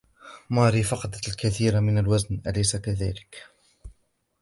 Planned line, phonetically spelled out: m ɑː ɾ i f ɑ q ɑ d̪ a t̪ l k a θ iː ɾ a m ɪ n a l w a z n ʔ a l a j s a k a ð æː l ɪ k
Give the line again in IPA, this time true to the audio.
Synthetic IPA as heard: m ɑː ɾ i f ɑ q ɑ d̪ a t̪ l k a θ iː ɾ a m ɪ n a l w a z n ʔ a l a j s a k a ð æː l ɪ k

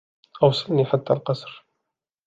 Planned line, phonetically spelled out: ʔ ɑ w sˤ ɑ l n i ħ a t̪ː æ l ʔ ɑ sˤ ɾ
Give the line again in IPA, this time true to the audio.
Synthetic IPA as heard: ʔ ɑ w sˤ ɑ l n i ħ a t̪ː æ l q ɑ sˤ ɾ

